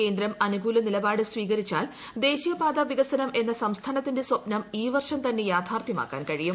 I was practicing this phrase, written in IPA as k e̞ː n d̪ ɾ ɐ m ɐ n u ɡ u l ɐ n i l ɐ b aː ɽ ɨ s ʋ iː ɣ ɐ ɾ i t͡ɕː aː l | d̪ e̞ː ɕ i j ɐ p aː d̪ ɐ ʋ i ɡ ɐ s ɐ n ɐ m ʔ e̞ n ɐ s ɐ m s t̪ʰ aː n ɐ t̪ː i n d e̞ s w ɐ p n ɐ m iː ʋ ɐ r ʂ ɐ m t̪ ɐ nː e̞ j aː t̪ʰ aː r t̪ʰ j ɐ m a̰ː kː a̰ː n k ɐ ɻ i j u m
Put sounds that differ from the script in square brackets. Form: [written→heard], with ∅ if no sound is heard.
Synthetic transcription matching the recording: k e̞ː n d̪ ɾ ɐ m ɐ n u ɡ [u→uː] l ɐ n i l ɐ b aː ɽ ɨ s ʋ iː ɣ ɐ ɾ i t͡ɕː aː l | d̪ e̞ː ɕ i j ɐ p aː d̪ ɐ ʋ i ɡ ɐ s ɐ n ɐ m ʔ e̞ [n→nː] ɐ s ɐ m s t̪ʰ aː n ɐ t̪ː i n d e̞ s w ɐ p n ɐ m iː ʋ ɐ r ʂ ɐ m t̪ ɐ nː e̞ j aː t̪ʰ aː r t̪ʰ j ɐ m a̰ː kː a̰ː n k ɐ ɻ i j u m